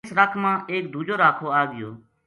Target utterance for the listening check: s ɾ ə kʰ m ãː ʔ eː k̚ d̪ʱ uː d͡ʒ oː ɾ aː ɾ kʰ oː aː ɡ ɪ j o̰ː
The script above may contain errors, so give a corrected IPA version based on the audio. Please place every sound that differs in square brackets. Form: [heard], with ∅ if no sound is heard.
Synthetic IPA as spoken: s ɾ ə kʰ m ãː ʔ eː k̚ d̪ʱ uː d͡ʒ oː ɾ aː [∅] kʰ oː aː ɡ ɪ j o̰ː